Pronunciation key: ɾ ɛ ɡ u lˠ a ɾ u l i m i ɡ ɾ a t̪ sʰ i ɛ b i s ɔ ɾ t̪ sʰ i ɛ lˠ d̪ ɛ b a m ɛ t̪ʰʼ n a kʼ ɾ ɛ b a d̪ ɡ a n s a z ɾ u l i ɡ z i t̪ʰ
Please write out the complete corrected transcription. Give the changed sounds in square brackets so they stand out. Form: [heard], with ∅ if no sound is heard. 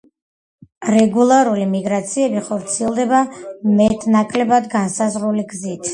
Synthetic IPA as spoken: ɾ ɛ ɡ u lˠ a ɾ u l i m i ɡ ɾ a t̪ sʰ i ɛ b i [χ] ɔ ɾ t̪ sʰ i ɛ lˠ d̪ ɛ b a m ɛ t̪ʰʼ n a kʼ [l] ɛ b a d̪ ɡ a n s a z ɾ u l i ɡ z i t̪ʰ